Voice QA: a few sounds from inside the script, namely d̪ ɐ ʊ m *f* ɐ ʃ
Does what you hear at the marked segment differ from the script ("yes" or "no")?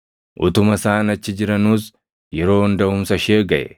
yes